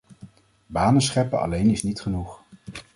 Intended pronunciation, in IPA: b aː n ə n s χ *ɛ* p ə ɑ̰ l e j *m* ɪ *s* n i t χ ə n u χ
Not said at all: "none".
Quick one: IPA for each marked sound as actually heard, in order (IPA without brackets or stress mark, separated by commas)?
ɛ, n, s